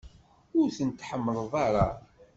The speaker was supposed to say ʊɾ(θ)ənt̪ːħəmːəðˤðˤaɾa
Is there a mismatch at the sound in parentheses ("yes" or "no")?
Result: no